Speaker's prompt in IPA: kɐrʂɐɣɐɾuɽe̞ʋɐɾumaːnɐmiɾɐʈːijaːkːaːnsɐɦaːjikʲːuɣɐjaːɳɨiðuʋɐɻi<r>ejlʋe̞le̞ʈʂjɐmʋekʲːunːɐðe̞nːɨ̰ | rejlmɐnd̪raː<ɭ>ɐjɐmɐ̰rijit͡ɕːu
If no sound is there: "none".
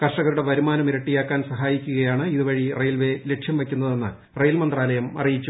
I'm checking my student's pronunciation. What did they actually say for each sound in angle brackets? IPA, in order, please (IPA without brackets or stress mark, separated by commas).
r, l